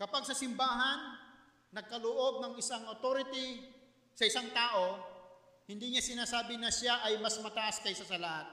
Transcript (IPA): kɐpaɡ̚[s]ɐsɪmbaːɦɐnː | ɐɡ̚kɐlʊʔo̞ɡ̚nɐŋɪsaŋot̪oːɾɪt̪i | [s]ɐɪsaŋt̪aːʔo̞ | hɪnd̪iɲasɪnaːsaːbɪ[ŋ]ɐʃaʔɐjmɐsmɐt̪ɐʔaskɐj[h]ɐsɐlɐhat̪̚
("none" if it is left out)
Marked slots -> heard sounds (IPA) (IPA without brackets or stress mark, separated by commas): s, s, n, s